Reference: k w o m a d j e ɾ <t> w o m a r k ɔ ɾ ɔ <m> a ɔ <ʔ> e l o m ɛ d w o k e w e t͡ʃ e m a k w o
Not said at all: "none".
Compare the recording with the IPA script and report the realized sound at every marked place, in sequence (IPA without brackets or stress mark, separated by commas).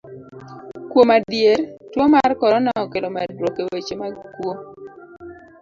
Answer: t, n, k